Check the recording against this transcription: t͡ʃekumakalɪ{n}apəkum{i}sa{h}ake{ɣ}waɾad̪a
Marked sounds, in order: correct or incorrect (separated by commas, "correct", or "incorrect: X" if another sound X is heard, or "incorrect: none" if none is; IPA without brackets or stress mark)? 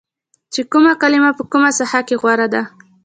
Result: incorrect: m, incorrect: a, correct, correct